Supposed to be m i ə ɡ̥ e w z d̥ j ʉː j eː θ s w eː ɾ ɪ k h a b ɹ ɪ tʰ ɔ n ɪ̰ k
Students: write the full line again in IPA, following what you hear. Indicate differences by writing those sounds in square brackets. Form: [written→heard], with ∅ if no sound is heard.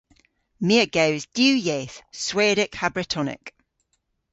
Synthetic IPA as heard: m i ə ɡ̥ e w z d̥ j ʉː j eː θ s w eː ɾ ɪ k h a b ɹ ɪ tʰ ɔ n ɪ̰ k